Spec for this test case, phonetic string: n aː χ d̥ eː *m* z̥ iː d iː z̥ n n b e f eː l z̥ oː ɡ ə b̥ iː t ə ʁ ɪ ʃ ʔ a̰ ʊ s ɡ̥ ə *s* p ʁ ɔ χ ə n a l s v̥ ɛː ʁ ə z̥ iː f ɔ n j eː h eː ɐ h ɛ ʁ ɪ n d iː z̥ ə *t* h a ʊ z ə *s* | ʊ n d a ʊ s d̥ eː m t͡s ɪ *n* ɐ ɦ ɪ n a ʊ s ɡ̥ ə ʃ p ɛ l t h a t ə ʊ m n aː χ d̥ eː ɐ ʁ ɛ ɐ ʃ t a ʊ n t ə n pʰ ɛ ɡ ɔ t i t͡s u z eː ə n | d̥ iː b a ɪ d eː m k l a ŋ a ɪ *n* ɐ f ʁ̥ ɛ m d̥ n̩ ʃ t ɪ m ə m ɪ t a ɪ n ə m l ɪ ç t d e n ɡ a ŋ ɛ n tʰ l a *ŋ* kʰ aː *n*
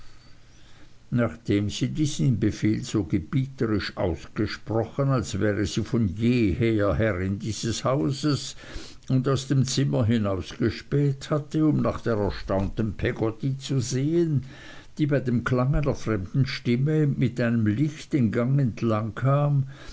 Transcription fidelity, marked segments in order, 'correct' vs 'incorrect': correct, incorrect, incorrect, correct, incorrect, correct, correct, incorrect

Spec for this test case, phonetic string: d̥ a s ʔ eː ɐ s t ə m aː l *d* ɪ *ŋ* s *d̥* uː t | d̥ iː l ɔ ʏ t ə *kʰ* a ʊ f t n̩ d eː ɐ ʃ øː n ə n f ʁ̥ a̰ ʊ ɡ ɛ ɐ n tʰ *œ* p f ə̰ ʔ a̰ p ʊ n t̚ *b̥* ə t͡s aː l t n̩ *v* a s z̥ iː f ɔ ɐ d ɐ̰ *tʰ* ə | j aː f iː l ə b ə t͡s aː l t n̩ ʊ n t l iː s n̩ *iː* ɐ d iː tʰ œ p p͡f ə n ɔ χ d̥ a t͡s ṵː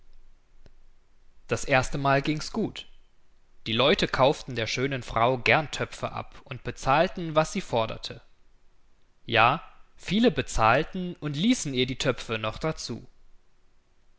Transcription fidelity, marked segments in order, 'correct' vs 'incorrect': incorrect, correct, incorrect, correct, correct, correct, correct, correct, correct

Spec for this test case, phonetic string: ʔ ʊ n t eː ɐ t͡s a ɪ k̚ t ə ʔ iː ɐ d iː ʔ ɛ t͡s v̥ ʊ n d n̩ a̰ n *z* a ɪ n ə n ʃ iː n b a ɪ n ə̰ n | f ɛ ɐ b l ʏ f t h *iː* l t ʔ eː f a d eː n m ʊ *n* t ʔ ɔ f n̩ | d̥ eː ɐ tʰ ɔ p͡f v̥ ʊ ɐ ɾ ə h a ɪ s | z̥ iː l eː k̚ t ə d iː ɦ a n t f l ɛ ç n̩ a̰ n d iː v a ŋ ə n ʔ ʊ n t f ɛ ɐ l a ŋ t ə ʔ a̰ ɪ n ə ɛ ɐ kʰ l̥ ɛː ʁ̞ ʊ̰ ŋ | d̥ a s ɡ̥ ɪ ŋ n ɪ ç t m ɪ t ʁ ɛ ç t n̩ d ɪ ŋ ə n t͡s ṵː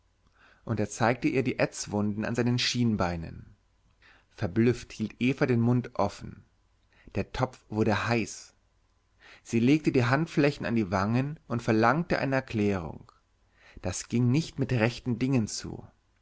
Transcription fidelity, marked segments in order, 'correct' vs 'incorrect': correct, correct, correct

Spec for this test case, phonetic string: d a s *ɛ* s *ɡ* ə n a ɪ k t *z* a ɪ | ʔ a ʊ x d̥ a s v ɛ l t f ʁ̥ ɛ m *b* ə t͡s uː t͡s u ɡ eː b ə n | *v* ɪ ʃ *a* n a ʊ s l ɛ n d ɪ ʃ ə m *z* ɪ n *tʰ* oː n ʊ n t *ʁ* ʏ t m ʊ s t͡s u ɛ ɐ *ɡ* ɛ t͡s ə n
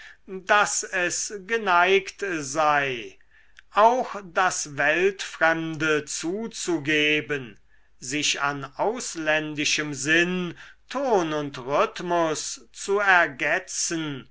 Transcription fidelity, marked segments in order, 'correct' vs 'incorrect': correct, correct, correct, incorrect, incorrect, correct, correct, correct, correct, correct

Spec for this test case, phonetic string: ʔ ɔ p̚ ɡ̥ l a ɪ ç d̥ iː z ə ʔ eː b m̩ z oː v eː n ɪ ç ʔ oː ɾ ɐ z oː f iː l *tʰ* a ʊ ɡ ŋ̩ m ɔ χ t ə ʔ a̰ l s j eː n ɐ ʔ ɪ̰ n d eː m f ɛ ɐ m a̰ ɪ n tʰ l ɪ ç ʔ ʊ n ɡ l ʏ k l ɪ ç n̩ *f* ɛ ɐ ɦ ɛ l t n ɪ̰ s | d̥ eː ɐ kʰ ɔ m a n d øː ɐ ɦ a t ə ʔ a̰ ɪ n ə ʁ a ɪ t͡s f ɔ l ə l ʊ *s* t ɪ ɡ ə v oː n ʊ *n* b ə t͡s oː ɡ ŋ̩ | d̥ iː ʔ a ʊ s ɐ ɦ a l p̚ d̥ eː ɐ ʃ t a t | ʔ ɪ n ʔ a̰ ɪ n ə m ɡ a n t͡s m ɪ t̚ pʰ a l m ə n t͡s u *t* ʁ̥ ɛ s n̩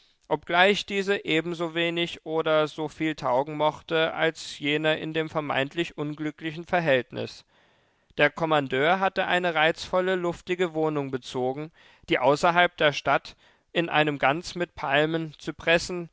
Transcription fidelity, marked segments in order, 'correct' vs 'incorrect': correct, correct, incorrect, incorrect, incorrect

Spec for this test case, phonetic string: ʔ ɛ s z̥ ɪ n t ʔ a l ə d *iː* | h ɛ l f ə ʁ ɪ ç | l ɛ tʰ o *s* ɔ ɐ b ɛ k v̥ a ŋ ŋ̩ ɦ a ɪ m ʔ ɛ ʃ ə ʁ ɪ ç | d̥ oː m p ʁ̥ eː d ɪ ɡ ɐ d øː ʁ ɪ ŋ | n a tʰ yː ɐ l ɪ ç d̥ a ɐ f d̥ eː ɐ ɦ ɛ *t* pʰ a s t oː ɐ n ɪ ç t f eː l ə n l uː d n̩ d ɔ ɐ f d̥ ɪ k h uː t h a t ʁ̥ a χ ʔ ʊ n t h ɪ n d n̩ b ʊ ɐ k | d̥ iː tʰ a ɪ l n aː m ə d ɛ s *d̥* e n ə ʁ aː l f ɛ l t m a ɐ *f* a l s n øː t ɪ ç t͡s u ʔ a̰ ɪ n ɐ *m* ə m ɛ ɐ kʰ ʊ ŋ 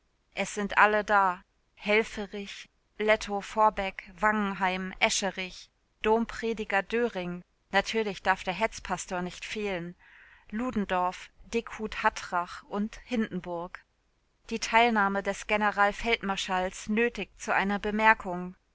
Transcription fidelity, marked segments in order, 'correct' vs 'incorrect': incorrect, incorrect, incorrect, incorrect, incorrect, incorrect

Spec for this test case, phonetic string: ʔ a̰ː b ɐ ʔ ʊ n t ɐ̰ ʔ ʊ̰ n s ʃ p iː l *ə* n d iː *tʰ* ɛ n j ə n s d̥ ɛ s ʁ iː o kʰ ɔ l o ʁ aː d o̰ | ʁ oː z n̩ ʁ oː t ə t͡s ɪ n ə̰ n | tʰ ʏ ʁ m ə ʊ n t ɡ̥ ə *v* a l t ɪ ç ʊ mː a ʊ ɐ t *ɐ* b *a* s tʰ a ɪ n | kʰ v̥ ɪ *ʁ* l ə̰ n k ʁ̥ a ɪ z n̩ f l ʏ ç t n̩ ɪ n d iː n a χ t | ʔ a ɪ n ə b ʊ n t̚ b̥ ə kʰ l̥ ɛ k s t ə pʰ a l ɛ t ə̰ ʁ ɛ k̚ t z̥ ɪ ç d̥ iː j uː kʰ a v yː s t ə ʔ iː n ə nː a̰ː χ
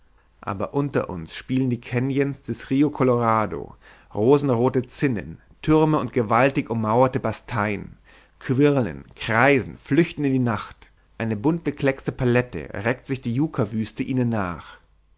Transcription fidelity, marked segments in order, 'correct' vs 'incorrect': correct, incorrect, correct, incorrect, correct, correct

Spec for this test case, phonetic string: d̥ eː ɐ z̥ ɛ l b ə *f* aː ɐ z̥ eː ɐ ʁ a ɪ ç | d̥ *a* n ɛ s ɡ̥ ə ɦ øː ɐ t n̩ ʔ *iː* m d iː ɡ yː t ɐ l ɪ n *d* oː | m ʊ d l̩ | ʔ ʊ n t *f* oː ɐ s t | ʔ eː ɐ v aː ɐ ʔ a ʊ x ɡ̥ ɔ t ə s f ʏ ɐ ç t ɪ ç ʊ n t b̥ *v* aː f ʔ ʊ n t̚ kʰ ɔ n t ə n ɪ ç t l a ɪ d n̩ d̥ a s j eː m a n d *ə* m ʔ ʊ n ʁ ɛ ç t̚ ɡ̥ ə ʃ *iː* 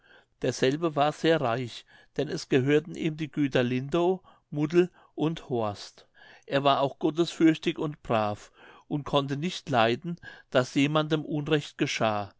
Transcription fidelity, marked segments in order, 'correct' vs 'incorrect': incorrect, incorrect, correct, correct, incorrect, incorrect, correct, incorrect

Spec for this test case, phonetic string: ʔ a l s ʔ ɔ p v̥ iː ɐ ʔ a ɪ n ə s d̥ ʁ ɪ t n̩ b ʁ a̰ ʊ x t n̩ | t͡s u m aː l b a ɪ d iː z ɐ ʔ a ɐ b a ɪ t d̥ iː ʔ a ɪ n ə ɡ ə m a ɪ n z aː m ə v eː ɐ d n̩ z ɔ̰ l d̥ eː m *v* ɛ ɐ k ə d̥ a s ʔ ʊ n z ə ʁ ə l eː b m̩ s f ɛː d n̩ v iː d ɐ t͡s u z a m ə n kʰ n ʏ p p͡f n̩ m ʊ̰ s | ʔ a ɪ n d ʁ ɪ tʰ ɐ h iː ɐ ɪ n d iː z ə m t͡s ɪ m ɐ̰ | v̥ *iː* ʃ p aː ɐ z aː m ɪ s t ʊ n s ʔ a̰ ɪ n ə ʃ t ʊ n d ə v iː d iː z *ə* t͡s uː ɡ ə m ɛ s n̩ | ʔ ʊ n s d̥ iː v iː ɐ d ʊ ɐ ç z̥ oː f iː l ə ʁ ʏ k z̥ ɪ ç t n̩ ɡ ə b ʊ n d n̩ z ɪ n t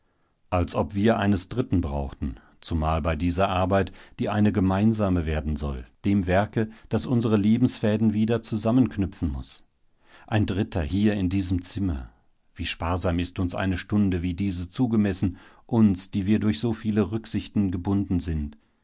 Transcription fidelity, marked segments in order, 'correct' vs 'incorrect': correct, correct, correct

